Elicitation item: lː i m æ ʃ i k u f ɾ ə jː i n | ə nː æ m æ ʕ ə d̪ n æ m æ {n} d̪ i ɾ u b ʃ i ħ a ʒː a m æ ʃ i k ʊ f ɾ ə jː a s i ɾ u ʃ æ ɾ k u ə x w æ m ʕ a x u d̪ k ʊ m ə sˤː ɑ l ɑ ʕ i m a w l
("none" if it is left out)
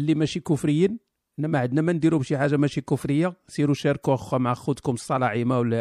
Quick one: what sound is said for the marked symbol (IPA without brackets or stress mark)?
n